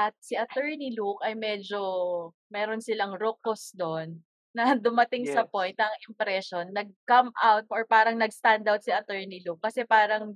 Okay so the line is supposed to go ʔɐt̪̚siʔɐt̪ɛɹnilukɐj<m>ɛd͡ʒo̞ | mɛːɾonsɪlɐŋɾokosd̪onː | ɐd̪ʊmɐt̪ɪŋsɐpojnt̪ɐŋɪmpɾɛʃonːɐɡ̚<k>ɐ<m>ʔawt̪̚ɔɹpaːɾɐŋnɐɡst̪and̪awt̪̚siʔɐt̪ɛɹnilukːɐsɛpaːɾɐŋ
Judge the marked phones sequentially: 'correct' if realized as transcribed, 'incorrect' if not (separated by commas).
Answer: correct, correct, correct